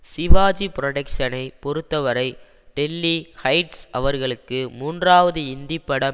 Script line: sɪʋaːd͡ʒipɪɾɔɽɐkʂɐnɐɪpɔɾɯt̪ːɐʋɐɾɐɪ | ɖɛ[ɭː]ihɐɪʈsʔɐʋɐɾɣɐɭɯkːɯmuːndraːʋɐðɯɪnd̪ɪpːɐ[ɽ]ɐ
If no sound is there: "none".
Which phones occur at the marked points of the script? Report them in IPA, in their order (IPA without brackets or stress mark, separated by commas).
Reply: lː, ɽ